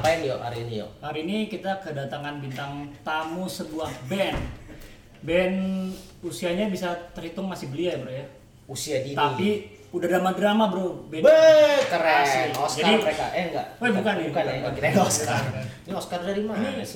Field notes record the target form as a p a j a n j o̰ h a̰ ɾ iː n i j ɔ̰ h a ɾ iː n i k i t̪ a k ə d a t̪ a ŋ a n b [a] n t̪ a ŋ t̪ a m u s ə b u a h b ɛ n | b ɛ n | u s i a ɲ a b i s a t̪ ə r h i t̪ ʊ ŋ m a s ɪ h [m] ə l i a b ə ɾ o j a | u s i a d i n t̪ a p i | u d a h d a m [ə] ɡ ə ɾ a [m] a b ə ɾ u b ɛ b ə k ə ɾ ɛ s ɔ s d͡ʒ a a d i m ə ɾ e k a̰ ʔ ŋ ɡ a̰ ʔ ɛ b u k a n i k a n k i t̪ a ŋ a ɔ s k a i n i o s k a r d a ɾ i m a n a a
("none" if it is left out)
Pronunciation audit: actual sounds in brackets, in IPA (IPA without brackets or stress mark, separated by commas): i, b, a, m